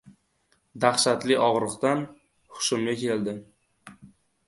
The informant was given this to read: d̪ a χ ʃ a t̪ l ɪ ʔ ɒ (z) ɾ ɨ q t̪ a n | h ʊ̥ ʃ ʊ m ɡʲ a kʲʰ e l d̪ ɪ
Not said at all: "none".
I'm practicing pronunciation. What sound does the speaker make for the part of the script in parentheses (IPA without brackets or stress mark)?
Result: ʁ